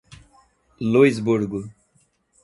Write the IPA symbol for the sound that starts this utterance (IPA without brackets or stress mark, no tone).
l